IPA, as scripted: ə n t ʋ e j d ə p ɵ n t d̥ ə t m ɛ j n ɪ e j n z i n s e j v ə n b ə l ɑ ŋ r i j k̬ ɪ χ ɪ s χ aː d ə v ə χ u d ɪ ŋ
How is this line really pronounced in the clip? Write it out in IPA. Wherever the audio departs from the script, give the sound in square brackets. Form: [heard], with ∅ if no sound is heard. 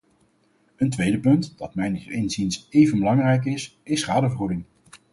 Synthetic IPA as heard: ə n t ʋ e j d ə p ɵ n t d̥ [ɑ] t m ɛ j n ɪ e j n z i n s e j v ə n b ə l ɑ ŋ r [ɛ] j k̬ ɪ [s] ɪ s χ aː d ə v ə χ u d ɪ ŋ